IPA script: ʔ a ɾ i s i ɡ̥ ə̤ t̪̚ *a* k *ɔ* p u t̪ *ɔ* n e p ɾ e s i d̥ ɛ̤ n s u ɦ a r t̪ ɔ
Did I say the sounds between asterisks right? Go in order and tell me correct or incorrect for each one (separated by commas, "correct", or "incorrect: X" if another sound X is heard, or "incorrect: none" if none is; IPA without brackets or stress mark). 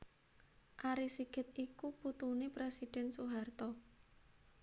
incorrect: i, incorrect: u, incorrect: u